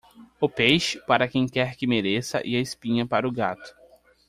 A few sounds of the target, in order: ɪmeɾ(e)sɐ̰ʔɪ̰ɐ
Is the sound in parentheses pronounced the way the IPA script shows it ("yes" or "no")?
yes